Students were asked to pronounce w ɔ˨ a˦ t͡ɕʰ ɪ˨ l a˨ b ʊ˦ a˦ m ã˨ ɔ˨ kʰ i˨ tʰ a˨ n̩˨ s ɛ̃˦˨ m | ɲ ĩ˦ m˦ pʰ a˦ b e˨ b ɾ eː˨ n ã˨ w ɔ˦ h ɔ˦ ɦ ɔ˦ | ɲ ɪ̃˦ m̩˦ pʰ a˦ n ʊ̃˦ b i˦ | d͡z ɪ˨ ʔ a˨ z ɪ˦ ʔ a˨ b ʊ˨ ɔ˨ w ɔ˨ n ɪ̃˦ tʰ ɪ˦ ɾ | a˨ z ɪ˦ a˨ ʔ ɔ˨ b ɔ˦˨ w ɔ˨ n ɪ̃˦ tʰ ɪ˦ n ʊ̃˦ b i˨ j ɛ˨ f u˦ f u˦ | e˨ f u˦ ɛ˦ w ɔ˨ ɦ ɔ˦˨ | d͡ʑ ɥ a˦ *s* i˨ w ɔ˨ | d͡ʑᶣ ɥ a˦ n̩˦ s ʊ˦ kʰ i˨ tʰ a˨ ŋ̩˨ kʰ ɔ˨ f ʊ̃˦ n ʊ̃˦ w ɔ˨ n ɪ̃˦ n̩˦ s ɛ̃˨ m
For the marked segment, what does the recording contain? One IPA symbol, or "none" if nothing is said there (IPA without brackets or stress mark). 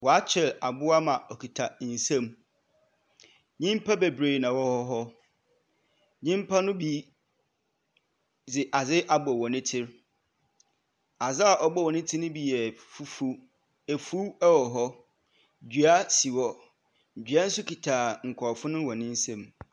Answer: s